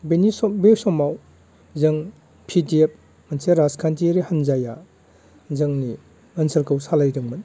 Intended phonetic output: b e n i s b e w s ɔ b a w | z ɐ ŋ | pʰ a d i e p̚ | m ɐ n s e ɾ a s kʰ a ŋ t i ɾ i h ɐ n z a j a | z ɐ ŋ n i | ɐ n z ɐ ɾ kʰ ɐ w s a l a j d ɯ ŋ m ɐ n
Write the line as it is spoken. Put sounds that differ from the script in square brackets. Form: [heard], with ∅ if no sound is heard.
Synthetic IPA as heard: b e n i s b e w s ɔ [m] a w | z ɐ ŋ | pʰ [i] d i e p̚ | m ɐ n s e ɾ a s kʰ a [n] t i ɾ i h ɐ n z a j a | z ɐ ŋ n i | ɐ n [s] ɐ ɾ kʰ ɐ w s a l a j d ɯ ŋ m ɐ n